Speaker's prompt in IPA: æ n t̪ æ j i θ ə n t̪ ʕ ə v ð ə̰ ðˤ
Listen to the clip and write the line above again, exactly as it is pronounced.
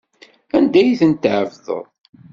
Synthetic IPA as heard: æ n d̪ æ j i θ ə n t̪ ʕ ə v ð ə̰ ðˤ